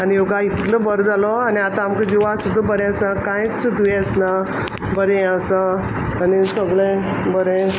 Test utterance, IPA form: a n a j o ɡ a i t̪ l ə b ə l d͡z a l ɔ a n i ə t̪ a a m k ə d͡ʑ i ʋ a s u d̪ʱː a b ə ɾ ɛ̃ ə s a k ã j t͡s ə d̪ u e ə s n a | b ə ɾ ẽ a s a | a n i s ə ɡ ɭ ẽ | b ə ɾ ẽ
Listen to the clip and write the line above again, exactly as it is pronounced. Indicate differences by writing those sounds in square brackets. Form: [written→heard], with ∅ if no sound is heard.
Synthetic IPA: a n [a→i] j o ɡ a i t̪ l ə b ə [l→ɾ] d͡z a l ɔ a n i [ə→a] t̪ a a m k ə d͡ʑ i ʋ a s u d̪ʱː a b ə ɾ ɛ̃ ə s a k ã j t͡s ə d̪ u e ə s n a | b ə ɾ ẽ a s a | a n i s ə ɡ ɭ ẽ | b ə ɾ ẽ